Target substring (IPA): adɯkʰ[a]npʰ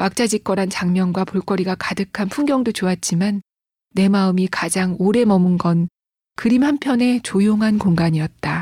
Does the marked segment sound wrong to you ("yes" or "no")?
no